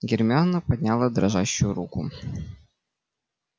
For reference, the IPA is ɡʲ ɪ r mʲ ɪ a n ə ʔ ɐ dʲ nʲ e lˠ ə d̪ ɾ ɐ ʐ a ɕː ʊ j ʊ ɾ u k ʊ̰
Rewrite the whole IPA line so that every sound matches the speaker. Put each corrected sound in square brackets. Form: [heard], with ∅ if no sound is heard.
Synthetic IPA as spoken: ɡʲ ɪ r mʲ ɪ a n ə [p] ɐ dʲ nʲ [a] lˠ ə d̪ ɾ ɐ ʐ a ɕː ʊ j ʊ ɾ u k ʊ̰